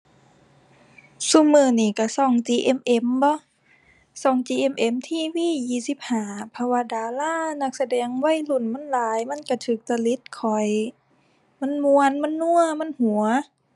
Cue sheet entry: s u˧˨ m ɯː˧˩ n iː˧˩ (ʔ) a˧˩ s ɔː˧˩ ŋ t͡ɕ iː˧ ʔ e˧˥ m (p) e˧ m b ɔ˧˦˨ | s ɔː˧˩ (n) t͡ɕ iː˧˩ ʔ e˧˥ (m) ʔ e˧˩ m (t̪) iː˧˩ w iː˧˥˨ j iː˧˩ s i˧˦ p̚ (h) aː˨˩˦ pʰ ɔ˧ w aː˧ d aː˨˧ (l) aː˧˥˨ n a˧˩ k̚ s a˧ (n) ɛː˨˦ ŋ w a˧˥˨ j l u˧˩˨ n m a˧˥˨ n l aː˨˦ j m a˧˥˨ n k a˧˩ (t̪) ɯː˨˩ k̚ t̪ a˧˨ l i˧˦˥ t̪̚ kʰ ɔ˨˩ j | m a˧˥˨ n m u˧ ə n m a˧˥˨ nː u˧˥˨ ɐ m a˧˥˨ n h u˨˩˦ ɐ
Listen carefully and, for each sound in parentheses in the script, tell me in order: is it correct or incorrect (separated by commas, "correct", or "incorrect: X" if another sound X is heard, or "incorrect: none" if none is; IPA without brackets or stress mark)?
incorrect: k, incorrect: ʔ, incorrect: ŋ, correct, incorrect: t̪ʰ, correct, correct, incorrect: d, incorrect: t̪ʰ